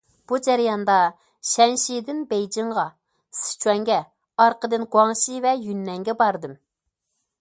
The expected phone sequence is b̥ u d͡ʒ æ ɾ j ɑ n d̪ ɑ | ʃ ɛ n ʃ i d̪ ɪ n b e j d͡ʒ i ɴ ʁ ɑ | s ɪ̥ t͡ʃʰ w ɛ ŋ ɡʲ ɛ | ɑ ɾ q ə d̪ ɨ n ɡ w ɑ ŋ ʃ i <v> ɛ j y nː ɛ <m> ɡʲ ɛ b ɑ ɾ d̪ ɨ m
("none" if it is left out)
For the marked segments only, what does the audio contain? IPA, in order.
v, ŋ

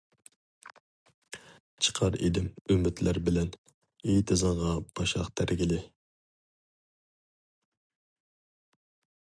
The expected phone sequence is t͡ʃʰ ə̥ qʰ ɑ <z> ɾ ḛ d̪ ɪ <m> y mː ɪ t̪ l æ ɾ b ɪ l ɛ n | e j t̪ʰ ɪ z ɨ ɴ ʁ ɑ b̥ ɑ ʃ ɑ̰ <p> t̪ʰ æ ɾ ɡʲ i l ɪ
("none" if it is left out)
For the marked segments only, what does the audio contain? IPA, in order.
none, m, q

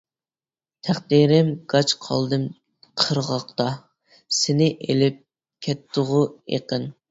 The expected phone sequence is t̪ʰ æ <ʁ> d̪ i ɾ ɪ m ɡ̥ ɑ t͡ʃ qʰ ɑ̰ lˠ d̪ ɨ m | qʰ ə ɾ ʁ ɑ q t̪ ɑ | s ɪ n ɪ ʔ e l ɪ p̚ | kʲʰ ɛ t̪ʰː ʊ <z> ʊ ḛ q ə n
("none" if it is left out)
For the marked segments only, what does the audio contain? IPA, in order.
χ, ʁ

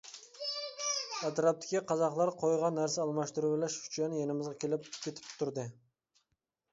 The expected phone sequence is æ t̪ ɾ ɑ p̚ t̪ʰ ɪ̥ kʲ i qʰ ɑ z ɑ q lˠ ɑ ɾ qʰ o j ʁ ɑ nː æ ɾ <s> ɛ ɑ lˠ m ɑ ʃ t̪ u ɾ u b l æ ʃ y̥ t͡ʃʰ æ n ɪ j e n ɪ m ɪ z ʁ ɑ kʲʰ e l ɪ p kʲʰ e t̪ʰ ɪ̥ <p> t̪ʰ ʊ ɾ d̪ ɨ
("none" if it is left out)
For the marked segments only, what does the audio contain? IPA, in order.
s, p

